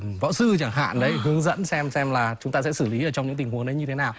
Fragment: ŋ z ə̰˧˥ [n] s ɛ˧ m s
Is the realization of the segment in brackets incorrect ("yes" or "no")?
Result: no